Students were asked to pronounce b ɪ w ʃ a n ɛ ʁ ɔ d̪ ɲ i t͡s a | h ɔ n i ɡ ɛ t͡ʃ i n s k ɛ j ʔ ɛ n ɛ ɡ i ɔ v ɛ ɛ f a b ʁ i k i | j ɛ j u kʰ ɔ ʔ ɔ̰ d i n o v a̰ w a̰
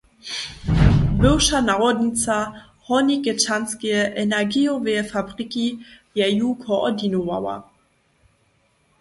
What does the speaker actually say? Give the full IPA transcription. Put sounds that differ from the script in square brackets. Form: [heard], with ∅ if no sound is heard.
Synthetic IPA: b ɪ w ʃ a n [a] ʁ ɔ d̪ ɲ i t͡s a | h ɔ n i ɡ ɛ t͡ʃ [a] n s k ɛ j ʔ ɛ n ɛ ɡ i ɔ v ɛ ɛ f a b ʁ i k i | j ɛ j u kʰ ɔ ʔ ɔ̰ d i n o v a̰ w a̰

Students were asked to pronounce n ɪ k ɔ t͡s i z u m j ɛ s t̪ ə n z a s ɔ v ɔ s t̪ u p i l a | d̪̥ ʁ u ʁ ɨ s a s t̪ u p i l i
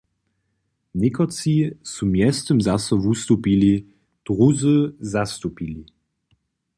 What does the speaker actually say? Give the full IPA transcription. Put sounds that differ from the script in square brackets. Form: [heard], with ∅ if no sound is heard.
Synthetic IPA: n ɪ k ɔ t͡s i [s] u m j ɛ s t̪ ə [m] z a s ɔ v [u] s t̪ u p i l [i] | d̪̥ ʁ u [z] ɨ [z] a s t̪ u p i l i

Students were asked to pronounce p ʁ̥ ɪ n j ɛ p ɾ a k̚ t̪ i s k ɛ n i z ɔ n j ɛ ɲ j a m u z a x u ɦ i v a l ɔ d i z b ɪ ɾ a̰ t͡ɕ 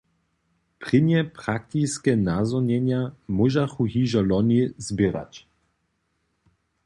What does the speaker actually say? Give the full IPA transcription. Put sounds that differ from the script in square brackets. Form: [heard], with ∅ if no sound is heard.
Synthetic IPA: p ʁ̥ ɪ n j ɛ p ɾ a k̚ t̪ i s k ɛ n [a] z ɔ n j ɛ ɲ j a m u [ʒ] a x u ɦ i [ʒ] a l ɔ [n] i z b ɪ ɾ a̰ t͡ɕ

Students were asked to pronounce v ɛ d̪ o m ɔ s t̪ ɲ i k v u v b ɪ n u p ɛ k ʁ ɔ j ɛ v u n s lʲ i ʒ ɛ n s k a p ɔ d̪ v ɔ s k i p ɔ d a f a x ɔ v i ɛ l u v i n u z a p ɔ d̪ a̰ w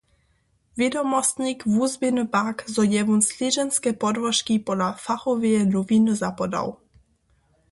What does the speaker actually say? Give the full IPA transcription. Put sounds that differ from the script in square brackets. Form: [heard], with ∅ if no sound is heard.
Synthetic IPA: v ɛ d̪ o m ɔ s t̪ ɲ i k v u [z] b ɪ n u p [a] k [z] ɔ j ɛ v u n s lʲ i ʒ ɛ n s k [ɛ] p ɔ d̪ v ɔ [ʃ] k i p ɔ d a f a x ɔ v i ɛ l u v i n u z a p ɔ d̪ a̰ w

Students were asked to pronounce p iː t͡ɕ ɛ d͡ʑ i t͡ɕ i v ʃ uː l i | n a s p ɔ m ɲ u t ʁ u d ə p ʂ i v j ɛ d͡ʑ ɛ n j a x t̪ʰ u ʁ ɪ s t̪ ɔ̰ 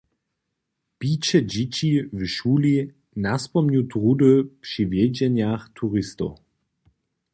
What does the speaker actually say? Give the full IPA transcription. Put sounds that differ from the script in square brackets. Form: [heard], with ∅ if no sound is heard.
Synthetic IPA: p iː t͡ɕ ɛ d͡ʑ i t͡ɕ i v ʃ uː l i | n a s p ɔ m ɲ u t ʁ u d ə p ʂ i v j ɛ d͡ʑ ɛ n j a x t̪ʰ u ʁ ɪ s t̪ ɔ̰

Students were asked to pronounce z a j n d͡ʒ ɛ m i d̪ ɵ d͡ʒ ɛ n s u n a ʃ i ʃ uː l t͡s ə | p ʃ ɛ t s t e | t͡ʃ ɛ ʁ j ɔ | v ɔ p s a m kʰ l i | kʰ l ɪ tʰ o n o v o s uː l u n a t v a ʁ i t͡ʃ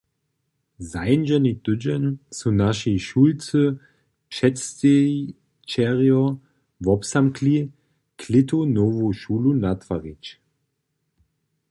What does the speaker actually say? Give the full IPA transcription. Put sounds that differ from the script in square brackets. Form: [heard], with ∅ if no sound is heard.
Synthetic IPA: z a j n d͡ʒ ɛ [n] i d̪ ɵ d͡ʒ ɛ n s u n a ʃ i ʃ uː l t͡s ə | p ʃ ɛ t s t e | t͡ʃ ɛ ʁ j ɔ | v ɔ p s a m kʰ l i | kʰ l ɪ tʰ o n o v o [ʃ] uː l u n a t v a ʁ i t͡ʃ

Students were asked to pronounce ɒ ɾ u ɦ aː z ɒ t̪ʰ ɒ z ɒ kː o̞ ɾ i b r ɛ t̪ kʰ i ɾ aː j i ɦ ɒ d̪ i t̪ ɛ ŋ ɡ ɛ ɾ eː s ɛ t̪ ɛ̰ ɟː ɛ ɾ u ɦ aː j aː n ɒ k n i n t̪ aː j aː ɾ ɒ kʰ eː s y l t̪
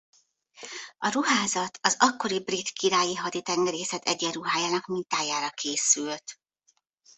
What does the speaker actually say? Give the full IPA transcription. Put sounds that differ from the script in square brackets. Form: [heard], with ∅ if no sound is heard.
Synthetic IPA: ɒ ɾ u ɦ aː z ɒ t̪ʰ ɒ z ɒ kː o̞ ɾ i b r [i] t̪ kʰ i ɾ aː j i ɦ ɒ d̪ i t̪ ɛ ŋ ɡ ɛ ɾ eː s ɛ t̪ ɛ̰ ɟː ɛ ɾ u ɦ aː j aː n ɒ k [m] i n t̪ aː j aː ɾ ɒ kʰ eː s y l t̪

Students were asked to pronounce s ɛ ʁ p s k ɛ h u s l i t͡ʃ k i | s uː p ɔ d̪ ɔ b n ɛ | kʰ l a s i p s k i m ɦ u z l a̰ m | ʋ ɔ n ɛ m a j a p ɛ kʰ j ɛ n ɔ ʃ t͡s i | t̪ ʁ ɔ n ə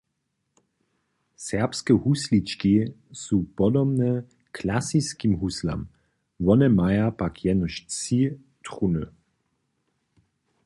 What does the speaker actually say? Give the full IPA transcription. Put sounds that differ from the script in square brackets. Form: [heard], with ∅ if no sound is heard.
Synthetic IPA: s ɛ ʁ p s k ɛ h u s l i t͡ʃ k i | s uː p ɔ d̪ ɔ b n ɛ | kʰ l a s i [∅] s k i m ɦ u [s] l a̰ m | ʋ ɔ n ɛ m a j a p [a] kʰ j ɛ n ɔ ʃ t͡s i | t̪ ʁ [u] n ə

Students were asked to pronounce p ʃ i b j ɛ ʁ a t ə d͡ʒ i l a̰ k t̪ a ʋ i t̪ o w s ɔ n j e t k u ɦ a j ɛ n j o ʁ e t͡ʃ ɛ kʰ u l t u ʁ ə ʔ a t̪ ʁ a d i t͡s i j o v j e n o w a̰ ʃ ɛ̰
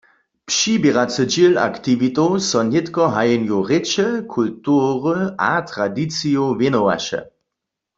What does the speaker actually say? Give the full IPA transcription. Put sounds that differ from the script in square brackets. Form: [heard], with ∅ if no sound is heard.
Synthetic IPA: p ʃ i b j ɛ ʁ a [t͡s] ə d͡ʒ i l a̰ k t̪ [i] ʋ i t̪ o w s ɔ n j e t k [ɔ] ɦ a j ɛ n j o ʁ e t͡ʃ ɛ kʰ u l t u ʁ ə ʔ a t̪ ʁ a d i t͡s i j o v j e n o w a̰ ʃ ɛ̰

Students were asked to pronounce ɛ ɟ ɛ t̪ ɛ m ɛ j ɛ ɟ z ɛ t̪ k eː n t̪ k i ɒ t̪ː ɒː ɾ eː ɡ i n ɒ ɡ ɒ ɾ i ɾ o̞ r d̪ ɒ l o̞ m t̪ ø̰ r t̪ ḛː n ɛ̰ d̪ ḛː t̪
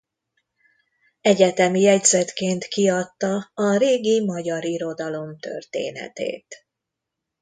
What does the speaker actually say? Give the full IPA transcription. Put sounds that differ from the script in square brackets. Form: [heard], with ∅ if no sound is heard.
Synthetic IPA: ɛ ɟ ɛ t̪ ɛ m [i] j ɛ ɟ z ɛ t̪ k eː n t̪ k i ɒ t̪ː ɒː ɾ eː ɡ i [m] ɒ [ɟ] ɒ ɾ i ɾ o̞ [∅] d̪ ɒ l o̞ m t̪ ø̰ r t̪ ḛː n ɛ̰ [t̪] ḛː t̪

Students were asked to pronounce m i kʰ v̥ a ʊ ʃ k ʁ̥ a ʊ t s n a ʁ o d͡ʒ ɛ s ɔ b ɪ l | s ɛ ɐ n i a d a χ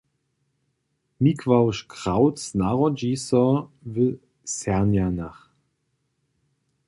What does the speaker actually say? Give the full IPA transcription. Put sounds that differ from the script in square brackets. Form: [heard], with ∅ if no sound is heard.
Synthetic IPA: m i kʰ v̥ a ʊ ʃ k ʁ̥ a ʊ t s n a ʁ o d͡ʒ [i] s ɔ [v] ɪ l | s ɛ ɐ n [j] a [n] a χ

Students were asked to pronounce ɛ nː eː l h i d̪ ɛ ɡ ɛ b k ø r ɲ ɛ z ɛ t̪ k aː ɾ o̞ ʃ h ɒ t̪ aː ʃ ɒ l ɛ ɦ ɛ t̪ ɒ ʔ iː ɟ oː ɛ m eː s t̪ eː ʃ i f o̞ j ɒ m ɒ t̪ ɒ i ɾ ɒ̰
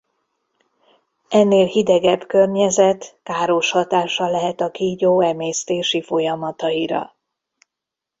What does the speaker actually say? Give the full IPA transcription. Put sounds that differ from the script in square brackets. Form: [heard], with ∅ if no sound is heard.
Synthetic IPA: ɛ nː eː l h i d̪ ɛ ɡ ɛ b k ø r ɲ ɛ z ɛ t̪ k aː ɾ o̞ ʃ h ɒ t̪ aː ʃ ɒ l ɛ ɦ ɛ t̪ ɒ [k] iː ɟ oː ɛ m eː s t̪ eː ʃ i f o̞ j ɒ m ɒ t̪ ɒ i ɾ ɒ̰

